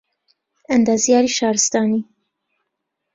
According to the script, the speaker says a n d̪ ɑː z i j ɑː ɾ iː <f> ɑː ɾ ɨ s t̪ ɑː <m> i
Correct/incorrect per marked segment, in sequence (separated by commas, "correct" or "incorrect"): incorrect, incorrect